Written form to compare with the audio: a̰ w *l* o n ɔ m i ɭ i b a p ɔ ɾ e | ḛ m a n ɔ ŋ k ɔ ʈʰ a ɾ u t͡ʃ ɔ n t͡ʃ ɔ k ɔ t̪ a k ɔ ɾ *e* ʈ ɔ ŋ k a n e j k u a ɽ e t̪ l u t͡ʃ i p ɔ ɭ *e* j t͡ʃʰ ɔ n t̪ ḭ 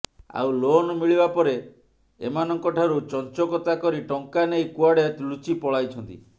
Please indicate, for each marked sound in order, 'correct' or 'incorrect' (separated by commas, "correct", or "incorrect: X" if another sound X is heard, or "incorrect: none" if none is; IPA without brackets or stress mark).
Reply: correct, incorrect: i, incorrect: a